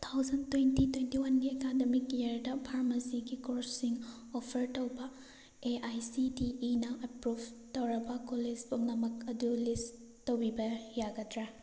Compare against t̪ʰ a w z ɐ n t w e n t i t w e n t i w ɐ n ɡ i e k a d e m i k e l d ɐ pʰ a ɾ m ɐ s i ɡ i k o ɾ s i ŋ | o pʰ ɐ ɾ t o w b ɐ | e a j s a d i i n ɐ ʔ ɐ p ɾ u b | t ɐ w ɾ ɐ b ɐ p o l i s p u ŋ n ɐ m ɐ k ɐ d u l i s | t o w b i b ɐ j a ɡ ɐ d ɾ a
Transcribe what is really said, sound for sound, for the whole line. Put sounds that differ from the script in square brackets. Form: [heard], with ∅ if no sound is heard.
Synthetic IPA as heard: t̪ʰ a w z ɐ n t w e n t i t w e n t i w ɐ n ɡ i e k a d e m i k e [ɾ] d ɐ pʰ a ɾ m ɐ s i ɡ i k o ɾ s i ŋ | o pʰ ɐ ɾ t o w b ɐ | e a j s [i] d i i n ɐ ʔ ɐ p ɾ u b | t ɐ w ɾ ɐ b ɐ [k] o l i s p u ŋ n ɐ m ɐ k ɐ d u l i s | t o w b i b ɐ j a ɡ ɐ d ɾ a